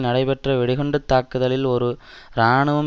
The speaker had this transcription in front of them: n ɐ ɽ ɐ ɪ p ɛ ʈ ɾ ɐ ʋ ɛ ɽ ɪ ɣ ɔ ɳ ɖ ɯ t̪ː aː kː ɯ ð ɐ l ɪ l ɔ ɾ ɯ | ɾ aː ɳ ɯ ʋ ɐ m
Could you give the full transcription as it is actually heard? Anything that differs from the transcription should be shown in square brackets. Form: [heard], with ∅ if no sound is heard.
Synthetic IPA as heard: n ɐ ɽ ɐ ɪ p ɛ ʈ [r] ɐ ʋ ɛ ɽ ɪ ɣ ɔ ɳ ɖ ɯ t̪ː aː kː ɯ ð ɐ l ɪ l ɔ ɾ ɯ | ɾ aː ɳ ɯ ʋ ɐ m